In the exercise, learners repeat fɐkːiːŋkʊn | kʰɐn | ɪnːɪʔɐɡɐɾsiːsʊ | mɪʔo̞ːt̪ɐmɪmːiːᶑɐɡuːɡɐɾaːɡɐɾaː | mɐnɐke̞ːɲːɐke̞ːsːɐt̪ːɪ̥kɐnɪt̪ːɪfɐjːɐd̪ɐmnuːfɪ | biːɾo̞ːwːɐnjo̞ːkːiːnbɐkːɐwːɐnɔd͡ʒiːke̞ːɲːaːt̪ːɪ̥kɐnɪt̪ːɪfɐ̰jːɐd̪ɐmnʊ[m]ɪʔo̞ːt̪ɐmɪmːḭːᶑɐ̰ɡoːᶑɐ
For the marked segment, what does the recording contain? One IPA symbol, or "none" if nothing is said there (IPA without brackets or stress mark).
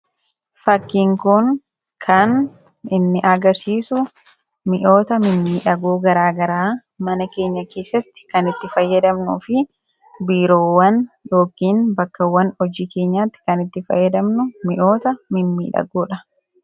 m